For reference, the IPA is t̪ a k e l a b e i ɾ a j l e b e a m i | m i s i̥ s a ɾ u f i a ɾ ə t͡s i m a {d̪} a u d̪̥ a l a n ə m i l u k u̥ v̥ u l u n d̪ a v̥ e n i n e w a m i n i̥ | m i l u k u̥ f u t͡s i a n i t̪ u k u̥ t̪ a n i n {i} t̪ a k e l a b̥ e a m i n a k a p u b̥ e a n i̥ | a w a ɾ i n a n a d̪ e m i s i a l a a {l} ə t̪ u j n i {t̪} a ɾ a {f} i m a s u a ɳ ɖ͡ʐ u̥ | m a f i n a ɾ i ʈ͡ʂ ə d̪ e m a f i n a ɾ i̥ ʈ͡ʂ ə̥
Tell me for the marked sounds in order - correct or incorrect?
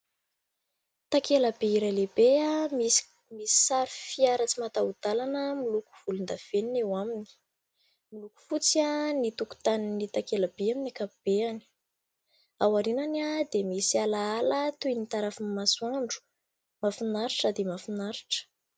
incorrect, correct, correct, correct, correct

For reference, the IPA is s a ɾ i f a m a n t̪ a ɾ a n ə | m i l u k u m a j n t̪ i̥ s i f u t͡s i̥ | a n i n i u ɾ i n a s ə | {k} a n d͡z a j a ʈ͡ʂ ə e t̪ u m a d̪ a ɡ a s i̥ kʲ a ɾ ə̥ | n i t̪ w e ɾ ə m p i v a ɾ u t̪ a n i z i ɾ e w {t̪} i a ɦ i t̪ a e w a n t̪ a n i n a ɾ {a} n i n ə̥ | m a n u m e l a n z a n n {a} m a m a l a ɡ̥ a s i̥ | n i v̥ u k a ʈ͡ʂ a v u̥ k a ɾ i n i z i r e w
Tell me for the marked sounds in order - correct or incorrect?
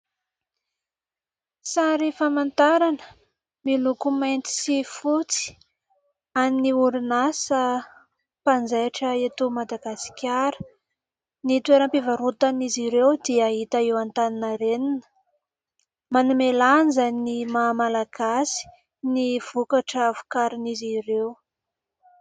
incorrect, incorrect, incorrect, incorrect

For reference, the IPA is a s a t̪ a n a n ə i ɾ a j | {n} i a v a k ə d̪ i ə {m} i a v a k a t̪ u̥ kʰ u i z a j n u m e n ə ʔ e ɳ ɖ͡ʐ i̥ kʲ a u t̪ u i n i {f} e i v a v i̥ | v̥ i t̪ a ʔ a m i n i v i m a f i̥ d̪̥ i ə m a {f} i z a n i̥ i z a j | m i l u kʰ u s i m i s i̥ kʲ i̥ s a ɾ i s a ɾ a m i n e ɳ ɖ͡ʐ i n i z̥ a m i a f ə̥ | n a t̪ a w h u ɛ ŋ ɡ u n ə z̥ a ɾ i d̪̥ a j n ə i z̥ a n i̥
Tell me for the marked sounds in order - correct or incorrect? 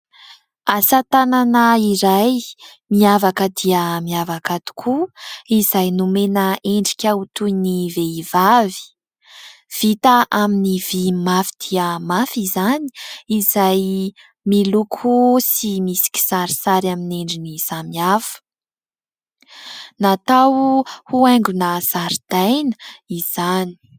incorrect, correct, incorrect, correct

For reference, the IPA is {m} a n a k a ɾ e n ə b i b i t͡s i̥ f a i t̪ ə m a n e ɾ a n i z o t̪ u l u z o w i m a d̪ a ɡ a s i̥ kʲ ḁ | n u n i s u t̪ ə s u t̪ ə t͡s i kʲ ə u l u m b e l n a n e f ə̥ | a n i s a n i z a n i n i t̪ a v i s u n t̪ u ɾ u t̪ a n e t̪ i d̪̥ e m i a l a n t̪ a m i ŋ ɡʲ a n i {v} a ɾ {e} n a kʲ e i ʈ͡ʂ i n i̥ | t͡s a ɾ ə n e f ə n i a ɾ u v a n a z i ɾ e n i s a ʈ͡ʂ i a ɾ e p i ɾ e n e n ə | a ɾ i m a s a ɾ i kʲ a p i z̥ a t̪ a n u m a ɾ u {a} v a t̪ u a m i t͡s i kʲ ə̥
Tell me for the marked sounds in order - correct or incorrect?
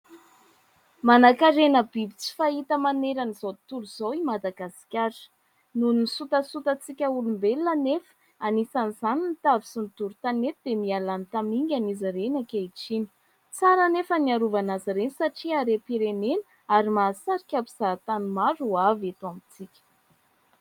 correct, incorrect, correct, correct

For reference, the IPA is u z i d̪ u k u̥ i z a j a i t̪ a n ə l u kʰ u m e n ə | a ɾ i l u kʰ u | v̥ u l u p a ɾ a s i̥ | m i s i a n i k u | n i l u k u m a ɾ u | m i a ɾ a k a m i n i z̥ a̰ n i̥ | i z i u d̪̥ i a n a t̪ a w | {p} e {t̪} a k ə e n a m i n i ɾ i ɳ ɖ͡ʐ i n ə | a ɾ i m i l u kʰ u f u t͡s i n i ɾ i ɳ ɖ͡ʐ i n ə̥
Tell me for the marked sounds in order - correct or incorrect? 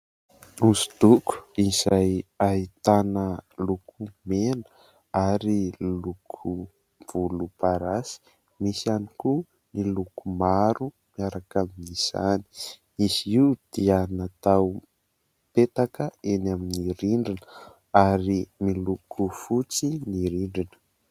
correct, correct

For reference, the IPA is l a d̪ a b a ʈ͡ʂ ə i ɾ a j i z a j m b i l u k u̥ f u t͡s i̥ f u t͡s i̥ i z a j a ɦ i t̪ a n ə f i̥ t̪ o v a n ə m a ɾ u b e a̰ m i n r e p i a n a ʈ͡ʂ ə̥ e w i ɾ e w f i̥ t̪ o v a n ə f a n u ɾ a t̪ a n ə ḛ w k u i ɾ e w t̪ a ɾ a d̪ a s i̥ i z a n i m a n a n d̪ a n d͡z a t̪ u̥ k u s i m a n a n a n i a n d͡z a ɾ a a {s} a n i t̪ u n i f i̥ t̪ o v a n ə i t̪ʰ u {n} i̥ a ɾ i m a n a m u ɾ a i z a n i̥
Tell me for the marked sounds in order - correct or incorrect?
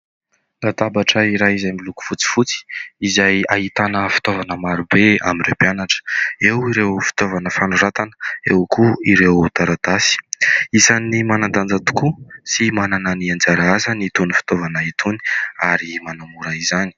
incorrect, correct

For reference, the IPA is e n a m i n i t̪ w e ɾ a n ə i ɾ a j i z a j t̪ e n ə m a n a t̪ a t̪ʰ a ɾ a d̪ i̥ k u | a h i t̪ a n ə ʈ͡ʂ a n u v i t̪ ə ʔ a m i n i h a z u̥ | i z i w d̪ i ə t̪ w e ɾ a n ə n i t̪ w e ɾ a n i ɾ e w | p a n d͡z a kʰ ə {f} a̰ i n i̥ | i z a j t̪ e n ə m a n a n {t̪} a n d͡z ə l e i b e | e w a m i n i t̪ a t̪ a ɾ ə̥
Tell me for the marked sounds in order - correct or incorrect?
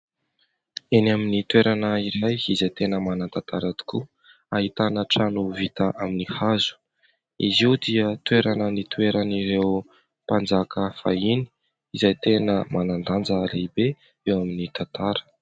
correct, incorrect

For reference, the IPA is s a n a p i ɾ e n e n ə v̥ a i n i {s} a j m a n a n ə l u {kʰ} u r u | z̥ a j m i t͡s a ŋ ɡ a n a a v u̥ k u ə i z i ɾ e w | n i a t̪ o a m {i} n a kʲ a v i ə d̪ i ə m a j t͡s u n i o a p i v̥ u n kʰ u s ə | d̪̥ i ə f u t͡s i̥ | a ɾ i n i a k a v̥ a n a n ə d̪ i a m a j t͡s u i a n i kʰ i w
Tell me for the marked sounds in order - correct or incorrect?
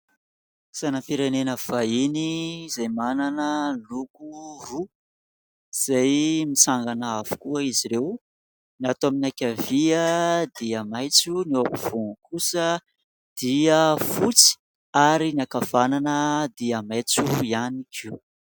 incorrect, incorrect, correct

